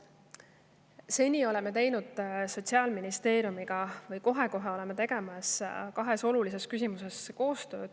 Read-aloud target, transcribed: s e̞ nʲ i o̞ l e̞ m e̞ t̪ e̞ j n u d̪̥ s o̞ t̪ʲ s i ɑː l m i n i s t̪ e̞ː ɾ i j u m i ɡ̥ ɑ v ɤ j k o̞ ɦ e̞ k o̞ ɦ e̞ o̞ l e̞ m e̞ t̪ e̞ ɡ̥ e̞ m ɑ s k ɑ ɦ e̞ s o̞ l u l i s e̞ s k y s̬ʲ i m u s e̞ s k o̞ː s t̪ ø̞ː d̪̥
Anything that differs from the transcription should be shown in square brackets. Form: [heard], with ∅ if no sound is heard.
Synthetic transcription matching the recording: s e̞ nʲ i o̞ l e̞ m e̞ t̪ e̞ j n u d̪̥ s o̞ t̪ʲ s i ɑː l m i n i s t̪ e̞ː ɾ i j u m i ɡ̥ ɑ v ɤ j k o̞ ɦ e̞ k o̞ ɦ e̞ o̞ l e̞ m e̞ t̪ e̞ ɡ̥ e̞ m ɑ s k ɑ ɦ e̞ s o̞ l u l i s e̞ s k y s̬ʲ i m u s e̞ s k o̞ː s t̪ ø̞ː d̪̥